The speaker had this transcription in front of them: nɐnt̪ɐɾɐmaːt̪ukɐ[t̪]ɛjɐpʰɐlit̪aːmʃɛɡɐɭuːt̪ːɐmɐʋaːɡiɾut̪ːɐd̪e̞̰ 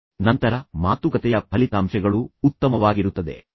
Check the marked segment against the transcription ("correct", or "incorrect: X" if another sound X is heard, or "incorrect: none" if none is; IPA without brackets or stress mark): correct